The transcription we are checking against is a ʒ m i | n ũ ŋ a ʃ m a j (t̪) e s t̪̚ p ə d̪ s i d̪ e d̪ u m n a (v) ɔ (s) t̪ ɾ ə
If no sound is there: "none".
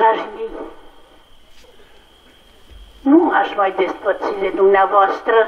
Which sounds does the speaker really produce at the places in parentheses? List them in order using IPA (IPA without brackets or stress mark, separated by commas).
d̪, v, s